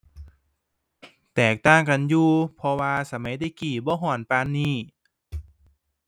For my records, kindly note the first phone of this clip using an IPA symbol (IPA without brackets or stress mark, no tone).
t̪